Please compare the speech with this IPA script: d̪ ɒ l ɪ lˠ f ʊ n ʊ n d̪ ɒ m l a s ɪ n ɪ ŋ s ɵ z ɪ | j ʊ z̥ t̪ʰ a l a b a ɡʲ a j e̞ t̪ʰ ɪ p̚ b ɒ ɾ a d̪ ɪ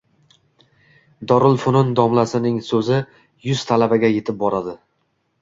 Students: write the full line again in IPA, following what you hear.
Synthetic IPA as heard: d̪ ɒ ɾ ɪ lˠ f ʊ n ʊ n d̪ ɒ m l a s ɪ n ɪ ŋ s ɵ z ɪ | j ʊ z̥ t̪ʰ a l a b a ɡʲ a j e̞ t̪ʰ ɪ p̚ b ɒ ɾ a d̪ ɪ